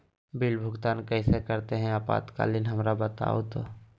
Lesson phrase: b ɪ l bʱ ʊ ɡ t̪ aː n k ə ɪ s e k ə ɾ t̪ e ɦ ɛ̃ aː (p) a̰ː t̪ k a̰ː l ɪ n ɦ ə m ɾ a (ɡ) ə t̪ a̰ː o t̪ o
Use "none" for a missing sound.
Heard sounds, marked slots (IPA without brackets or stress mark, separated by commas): p, b